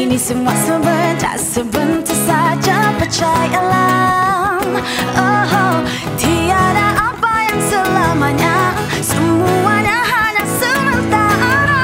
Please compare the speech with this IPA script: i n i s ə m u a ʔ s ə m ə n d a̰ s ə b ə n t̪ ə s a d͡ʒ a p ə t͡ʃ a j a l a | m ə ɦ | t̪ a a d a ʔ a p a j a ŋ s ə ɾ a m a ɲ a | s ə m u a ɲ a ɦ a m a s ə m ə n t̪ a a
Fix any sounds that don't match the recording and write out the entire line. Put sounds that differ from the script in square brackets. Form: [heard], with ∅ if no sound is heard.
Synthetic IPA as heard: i n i s ə m u a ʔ s ə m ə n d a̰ s ə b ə n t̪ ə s a d͡ʒ a p ə t͡ʃ a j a l a | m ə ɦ | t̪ [i] a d a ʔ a p a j a ŋ s ə [l] a m a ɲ a | s ə m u a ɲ a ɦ a [ɲ] a s ə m ə n t̪ a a